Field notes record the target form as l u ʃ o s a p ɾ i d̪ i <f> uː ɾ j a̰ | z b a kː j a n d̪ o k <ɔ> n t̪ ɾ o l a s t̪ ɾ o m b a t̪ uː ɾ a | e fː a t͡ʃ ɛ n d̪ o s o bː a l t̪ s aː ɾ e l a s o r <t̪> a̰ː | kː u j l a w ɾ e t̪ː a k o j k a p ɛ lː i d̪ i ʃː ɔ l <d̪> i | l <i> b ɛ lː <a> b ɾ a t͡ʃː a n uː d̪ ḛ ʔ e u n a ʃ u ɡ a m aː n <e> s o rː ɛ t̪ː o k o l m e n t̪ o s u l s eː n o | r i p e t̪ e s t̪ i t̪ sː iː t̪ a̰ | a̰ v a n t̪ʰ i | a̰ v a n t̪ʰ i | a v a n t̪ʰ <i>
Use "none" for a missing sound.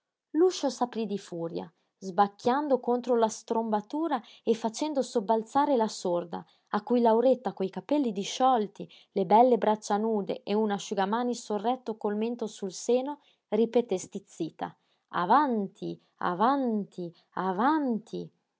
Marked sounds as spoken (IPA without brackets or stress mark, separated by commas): f, o, d̪, t̪, e, e, i, i